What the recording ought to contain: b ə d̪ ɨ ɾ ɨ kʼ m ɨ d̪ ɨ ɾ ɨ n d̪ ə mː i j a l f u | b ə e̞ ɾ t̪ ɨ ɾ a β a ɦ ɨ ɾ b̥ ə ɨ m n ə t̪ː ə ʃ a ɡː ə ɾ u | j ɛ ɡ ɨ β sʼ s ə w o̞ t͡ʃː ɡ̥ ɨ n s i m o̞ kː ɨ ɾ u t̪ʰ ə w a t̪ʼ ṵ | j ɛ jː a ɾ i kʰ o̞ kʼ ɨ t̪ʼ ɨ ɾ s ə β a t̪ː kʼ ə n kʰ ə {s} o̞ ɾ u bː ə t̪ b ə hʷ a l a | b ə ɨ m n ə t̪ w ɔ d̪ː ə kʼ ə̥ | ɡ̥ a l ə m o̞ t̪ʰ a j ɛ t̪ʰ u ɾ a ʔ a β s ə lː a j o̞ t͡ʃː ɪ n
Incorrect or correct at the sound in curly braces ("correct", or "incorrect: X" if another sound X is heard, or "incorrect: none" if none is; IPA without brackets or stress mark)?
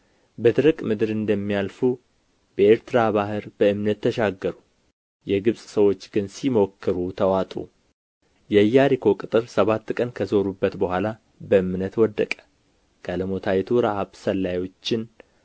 incorrect: z